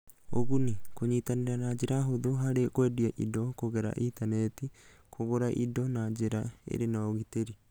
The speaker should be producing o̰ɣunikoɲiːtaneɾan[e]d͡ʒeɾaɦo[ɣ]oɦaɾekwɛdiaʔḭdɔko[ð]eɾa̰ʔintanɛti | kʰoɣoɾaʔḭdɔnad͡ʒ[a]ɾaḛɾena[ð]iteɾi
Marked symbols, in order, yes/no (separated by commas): no, no, no, no, no